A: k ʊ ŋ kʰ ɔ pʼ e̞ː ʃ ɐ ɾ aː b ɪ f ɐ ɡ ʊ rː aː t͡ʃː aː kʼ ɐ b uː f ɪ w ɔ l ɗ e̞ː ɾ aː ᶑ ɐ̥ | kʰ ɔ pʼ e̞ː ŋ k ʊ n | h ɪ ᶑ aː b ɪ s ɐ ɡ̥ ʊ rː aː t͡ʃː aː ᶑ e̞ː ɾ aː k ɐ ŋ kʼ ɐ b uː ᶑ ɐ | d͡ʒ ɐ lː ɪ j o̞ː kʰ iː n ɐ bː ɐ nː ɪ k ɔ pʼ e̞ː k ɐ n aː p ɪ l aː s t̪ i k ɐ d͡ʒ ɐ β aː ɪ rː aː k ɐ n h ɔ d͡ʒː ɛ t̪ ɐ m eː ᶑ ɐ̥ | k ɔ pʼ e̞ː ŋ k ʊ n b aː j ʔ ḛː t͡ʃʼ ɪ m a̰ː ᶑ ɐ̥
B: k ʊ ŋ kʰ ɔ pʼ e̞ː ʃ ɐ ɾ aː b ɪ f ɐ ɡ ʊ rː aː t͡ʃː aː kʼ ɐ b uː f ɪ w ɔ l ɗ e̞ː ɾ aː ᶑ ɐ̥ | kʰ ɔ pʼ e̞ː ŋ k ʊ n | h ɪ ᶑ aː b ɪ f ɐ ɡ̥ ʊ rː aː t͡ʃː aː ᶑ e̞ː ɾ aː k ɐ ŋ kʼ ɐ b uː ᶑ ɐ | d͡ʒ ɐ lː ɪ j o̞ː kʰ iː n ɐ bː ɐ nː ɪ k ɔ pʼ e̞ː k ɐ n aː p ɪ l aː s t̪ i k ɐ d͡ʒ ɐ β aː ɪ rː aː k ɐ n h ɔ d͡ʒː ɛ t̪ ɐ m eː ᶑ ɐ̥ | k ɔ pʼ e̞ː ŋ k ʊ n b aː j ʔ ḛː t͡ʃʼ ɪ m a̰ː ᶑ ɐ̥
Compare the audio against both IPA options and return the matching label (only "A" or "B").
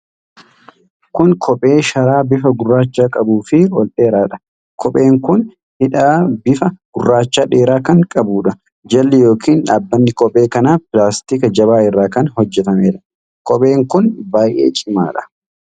B